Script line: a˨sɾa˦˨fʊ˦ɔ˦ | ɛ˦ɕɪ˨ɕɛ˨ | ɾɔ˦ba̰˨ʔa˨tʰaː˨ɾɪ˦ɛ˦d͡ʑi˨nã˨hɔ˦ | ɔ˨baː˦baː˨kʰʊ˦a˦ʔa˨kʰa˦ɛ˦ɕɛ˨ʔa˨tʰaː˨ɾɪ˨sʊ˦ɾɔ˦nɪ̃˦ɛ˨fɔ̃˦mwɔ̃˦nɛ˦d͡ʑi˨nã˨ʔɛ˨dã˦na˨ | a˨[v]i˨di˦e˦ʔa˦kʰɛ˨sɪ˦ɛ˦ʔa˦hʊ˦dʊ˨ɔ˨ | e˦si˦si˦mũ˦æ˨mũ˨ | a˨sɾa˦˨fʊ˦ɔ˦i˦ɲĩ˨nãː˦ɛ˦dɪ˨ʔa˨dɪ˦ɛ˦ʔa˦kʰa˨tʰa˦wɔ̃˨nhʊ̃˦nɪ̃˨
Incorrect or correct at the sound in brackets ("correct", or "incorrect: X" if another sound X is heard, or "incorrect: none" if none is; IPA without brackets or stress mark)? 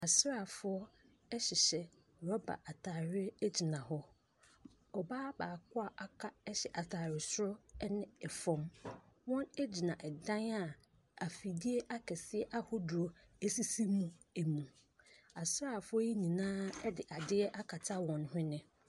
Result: incorrect: f